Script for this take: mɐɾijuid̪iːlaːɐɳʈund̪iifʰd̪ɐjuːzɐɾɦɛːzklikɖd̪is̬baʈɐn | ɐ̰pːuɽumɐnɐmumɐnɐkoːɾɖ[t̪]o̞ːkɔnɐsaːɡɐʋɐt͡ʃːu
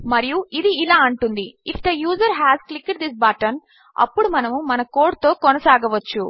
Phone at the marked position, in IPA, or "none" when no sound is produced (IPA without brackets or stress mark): t̪